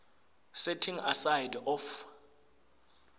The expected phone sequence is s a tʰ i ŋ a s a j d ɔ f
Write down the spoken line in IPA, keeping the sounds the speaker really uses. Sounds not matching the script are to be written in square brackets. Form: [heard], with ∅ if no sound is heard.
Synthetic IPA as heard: s [ɛ] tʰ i ŋ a s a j d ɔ f